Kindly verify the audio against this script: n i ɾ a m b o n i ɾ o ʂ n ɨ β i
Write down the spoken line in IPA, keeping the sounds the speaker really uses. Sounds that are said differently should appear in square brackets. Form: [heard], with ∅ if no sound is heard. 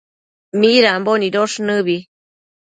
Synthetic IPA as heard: [m] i ɾ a m b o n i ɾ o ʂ n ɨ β i